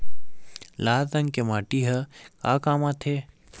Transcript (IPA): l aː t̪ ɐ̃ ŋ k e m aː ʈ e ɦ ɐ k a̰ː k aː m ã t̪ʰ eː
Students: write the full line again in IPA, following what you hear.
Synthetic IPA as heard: l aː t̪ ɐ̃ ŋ k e m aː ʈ i ɦ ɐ k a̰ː k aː m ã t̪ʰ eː